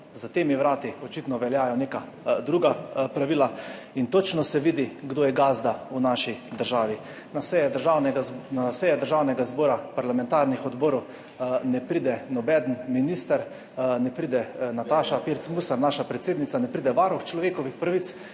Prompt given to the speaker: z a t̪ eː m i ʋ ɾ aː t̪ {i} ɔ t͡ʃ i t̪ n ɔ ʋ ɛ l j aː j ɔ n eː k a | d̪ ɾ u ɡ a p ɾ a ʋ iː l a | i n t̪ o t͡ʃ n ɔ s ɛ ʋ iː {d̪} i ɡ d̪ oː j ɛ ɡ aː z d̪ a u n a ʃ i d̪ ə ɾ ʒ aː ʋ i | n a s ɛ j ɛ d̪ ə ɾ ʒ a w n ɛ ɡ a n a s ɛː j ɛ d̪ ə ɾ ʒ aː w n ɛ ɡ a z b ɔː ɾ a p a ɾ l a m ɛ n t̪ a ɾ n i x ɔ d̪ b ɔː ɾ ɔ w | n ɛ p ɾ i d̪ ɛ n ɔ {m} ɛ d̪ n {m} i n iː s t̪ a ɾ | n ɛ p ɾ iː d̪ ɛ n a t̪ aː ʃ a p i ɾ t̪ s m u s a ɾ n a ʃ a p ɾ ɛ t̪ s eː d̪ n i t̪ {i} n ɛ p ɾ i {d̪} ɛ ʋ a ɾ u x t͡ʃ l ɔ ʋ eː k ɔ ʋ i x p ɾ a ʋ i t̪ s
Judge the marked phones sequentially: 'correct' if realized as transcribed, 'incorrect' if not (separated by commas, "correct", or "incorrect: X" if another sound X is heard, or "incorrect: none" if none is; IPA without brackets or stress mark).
correct, correct, incorrect: b, correct, incorrect: a, correct